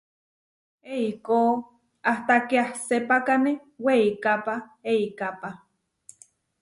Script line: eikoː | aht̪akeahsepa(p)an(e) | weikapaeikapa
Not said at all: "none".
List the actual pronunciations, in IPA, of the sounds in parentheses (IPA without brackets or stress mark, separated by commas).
k, e